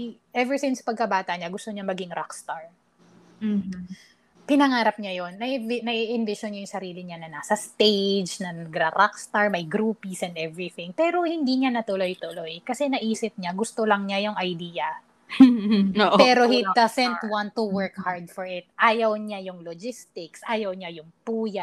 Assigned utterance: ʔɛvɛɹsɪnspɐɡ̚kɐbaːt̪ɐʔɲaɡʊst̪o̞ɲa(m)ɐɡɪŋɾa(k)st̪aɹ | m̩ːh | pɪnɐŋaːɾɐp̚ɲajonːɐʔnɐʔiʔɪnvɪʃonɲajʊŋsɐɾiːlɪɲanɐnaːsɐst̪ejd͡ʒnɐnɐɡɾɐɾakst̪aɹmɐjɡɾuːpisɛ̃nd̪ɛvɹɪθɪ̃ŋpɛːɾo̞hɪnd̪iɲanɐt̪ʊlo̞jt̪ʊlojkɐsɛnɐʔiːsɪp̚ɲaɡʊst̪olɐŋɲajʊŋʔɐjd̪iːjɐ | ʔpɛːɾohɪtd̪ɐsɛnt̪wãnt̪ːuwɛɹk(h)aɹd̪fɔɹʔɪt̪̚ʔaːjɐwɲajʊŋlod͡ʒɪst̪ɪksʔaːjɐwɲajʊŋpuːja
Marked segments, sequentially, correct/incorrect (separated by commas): correct, correct, correct